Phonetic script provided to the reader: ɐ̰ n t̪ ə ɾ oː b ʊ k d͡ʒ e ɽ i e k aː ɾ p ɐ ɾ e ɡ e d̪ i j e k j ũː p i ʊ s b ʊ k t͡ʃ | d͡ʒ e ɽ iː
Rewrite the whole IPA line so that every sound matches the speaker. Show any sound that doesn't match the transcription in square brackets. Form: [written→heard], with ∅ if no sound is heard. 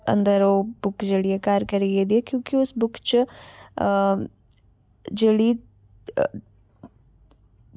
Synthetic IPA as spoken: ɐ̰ n [t̪→d̪] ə ɾ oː b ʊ k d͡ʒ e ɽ i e k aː ɾ [p→k] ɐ ɾ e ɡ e d̪ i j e k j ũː [p→k] i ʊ s b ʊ k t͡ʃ | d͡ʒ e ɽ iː